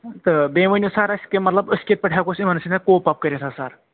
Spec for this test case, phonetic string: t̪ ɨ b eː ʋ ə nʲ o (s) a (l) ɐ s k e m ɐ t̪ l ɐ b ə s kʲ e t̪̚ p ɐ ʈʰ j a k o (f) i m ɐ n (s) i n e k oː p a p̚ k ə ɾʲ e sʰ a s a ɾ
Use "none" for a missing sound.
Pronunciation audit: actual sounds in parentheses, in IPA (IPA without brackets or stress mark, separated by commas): s, ɾ, s, s